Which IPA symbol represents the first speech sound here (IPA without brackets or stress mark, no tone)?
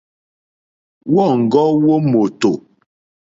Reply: w